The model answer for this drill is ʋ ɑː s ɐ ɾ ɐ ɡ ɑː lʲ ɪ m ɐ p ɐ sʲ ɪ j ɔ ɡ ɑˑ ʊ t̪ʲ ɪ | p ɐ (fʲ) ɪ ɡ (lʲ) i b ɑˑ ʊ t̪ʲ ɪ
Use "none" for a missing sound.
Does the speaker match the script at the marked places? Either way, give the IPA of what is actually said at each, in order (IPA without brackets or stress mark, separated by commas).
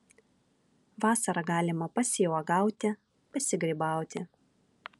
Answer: sʲ, ɾʲ